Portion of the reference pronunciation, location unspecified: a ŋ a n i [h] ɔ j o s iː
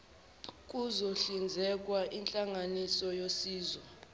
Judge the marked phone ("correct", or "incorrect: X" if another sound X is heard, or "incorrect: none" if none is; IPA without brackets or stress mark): incorrect: s